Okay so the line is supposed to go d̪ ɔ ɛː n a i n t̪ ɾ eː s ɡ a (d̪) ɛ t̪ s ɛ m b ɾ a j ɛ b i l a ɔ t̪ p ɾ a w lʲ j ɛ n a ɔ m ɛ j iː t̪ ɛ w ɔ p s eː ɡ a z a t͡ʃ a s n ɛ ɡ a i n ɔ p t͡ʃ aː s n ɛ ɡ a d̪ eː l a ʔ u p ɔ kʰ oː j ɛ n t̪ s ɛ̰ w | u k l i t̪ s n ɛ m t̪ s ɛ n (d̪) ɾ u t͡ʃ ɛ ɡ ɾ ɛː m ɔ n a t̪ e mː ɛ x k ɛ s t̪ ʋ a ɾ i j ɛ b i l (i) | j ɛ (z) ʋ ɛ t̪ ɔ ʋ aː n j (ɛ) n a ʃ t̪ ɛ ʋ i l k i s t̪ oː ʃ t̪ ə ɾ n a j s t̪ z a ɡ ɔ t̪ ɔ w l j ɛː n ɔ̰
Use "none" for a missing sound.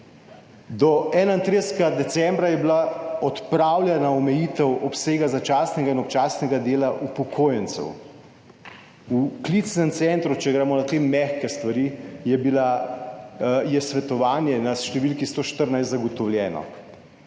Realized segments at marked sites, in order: d̪, t̪, a, s, ɛ

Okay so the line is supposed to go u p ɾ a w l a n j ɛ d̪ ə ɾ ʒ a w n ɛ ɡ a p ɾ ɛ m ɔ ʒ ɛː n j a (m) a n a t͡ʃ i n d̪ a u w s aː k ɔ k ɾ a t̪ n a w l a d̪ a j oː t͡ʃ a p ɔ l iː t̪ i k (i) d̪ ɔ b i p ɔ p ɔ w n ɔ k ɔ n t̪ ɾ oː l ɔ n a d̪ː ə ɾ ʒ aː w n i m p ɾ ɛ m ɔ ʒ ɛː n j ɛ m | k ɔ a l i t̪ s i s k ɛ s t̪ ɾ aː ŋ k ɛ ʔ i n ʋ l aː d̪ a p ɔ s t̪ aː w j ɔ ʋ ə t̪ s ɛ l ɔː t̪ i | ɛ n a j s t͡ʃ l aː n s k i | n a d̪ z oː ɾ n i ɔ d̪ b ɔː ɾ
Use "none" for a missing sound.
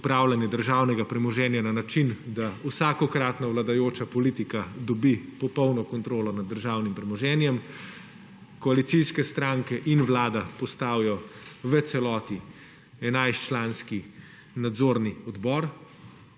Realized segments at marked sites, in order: n, a

